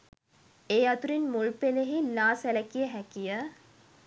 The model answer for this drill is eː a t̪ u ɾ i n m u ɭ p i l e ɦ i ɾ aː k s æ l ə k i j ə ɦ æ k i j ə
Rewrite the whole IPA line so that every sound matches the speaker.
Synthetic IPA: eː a t̪ u ɾ i n m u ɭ p e l e ɦ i l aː s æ l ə k i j ə ɦ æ k i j ə